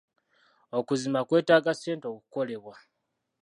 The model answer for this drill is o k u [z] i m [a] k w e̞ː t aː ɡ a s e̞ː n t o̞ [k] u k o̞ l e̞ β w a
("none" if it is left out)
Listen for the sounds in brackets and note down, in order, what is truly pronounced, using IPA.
z, a, k

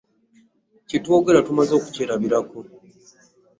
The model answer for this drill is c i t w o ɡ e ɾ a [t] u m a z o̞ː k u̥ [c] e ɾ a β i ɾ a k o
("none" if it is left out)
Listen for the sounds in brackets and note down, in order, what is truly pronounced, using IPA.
t, c

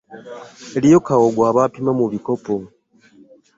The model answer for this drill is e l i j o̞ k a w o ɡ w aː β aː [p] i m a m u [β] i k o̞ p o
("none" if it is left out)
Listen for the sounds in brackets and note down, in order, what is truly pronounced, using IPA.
p, β

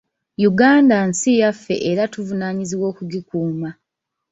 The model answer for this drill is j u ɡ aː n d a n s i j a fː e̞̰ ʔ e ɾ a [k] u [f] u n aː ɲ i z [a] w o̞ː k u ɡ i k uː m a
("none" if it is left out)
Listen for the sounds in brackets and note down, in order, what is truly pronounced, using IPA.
t, v, i

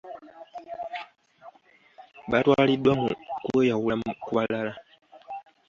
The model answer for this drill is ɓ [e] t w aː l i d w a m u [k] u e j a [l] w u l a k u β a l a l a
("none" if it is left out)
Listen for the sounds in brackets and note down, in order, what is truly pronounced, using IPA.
a, k, none

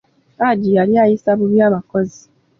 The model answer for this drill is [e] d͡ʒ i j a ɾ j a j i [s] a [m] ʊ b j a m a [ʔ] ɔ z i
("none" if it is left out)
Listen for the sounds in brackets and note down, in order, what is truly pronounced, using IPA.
a, s, b, k

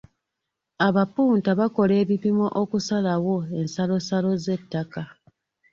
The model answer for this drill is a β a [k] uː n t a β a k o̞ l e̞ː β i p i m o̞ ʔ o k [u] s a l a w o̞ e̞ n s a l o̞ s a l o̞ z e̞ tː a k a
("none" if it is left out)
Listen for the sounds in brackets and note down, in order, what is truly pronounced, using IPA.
p, u

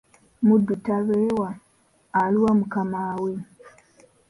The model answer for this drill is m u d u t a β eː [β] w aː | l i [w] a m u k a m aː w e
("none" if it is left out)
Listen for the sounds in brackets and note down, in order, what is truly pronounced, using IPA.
none, w

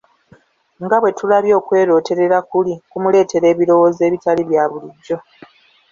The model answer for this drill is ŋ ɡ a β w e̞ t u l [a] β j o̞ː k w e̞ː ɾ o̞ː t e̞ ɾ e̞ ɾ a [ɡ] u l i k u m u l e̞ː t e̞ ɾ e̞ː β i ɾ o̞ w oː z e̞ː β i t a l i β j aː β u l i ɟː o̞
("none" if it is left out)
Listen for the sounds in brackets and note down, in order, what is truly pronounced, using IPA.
a, k

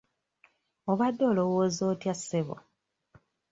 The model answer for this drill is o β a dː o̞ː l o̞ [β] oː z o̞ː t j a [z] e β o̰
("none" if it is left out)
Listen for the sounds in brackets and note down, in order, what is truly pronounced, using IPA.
w, s

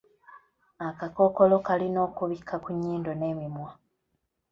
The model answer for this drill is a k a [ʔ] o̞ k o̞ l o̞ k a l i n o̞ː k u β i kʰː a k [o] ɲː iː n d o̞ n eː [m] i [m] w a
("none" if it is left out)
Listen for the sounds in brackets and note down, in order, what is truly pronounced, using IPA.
k, u, m, m

